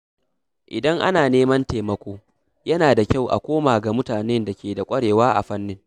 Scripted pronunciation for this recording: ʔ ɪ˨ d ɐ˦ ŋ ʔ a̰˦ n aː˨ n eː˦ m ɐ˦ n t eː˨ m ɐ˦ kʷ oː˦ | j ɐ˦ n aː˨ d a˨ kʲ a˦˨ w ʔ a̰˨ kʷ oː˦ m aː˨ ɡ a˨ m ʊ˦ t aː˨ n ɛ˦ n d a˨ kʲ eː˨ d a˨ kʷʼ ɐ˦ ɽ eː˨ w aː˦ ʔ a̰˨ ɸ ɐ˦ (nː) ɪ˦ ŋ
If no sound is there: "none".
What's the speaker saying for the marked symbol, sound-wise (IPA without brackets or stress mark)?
nː